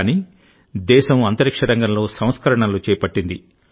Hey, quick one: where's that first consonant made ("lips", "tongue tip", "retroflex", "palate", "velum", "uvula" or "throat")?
tongue tip